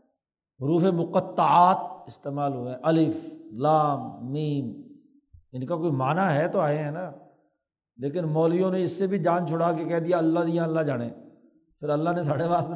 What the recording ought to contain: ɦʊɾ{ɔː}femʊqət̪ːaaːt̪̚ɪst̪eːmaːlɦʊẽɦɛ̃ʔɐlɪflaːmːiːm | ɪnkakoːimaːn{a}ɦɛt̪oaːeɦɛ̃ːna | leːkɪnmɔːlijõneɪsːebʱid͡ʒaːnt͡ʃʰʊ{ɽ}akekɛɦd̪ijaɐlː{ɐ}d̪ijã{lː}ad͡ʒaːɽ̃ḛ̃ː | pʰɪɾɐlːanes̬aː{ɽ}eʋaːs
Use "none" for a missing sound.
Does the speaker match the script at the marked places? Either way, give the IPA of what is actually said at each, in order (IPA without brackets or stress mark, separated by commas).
uː, a, ɽ, a, lː, ɽ